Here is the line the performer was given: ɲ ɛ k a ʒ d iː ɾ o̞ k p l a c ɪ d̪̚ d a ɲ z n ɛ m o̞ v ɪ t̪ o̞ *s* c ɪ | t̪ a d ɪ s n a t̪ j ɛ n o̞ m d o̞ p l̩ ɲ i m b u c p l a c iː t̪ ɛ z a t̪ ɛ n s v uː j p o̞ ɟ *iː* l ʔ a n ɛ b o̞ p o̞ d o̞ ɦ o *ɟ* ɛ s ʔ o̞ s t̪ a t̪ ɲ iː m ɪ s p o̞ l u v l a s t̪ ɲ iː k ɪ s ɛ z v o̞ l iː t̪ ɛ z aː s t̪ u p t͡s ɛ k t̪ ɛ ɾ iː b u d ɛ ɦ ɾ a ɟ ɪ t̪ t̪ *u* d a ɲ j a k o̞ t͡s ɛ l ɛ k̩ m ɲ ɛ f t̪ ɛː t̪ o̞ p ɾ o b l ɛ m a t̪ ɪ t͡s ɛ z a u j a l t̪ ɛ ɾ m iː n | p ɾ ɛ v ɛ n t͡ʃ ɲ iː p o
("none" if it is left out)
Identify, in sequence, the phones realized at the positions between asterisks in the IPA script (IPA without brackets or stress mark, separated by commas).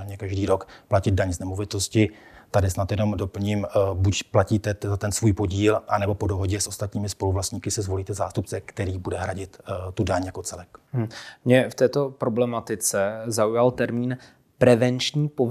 s, iː, ɟ, u